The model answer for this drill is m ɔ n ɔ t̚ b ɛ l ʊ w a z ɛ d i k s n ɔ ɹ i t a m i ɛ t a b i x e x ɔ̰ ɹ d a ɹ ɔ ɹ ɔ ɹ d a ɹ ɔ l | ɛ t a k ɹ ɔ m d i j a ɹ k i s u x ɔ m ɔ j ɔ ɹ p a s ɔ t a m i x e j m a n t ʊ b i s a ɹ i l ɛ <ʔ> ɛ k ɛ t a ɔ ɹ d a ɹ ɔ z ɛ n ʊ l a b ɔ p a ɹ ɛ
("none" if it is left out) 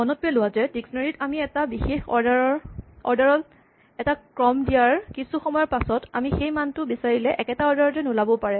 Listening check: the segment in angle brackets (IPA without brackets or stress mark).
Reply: ʔ